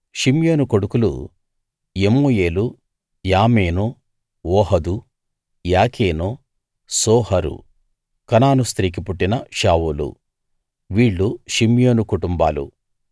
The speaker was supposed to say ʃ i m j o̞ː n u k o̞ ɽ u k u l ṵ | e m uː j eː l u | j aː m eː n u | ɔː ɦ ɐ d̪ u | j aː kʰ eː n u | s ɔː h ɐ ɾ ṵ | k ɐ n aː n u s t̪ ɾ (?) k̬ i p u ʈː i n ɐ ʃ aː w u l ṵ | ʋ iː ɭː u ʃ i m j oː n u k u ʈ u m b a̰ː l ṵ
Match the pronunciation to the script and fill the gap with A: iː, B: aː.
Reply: A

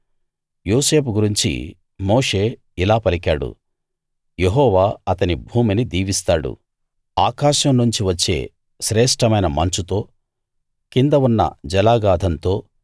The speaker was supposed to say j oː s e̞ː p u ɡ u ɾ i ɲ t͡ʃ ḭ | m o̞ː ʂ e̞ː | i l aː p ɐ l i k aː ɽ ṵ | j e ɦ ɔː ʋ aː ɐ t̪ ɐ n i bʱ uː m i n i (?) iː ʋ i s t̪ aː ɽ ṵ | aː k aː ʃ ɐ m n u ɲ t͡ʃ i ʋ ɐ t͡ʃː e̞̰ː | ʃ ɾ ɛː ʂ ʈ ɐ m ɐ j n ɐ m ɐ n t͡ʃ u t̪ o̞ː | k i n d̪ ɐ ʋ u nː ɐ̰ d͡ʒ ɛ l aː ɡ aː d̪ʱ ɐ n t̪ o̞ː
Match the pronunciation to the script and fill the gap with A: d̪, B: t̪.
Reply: A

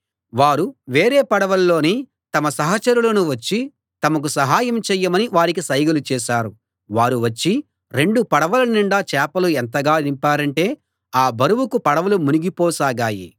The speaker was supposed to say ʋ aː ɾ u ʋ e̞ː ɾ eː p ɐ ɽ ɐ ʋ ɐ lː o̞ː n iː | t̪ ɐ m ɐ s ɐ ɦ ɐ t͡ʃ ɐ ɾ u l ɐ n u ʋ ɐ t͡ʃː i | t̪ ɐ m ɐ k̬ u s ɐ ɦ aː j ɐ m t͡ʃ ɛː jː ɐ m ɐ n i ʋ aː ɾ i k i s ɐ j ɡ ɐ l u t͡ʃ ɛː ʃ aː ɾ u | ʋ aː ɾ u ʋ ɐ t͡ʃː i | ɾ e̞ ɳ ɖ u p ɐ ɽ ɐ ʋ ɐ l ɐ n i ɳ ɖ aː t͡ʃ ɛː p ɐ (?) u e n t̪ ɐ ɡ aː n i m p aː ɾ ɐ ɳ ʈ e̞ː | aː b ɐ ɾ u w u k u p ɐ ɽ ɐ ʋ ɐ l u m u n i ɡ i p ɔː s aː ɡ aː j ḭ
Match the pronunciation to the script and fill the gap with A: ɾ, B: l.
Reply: B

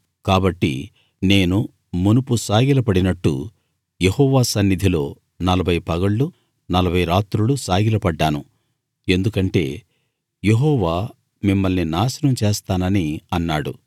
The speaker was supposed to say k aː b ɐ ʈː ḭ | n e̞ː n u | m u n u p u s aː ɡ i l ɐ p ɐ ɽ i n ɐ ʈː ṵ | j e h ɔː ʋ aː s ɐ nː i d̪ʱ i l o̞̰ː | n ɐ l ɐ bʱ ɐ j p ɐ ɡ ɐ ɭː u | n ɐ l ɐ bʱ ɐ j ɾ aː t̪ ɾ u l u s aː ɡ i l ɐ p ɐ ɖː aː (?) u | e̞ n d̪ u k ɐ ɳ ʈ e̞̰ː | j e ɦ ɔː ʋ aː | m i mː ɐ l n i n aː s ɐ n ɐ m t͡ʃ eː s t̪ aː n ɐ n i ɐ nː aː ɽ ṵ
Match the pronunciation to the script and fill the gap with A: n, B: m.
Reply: A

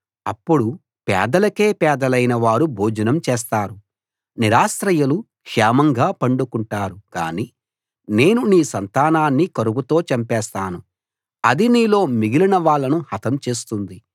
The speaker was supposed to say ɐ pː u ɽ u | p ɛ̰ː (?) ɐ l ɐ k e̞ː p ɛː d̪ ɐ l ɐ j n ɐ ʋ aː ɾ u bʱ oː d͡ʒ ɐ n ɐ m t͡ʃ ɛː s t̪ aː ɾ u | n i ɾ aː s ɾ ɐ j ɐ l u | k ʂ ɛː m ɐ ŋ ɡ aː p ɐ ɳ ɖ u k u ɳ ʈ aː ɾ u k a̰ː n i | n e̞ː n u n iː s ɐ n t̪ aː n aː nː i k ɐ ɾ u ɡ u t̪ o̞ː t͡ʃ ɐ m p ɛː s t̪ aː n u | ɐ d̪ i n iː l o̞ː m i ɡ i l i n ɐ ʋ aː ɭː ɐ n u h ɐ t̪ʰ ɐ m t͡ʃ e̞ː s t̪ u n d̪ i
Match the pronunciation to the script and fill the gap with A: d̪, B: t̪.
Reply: A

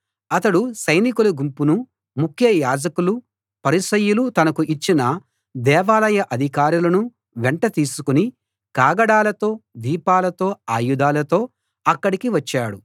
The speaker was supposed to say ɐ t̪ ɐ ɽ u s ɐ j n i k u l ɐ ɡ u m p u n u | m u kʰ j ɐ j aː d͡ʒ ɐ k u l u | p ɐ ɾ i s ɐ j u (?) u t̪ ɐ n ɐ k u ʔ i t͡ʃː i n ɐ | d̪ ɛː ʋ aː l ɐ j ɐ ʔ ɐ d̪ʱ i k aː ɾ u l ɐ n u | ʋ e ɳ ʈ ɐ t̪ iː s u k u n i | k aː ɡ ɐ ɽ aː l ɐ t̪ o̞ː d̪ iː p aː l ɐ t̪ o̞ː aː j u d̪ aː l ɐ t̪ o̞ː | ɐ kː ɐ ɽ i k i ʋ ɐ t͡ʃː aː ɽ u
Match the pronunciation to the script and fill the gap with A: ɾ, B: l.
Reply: B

